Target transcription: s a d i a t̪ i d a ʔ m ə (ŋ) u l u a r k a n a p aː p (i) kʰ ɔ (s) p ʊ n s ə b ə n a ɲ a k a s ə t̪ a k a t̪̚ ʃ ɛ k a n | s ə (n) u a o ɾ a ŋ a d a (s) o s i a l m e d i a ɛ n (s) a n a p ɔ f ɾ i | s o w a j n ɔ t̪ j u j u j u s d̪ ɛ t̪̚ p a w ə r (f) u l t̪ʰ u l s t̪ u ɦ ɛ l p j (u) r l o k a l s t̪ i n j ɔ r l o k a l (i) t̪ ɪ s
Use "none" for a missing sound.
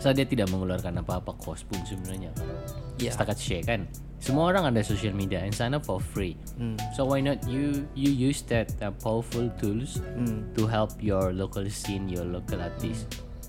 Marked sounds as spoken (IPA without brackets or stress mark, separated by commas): ŋ, a, s, m, s, s, f, ɔ, a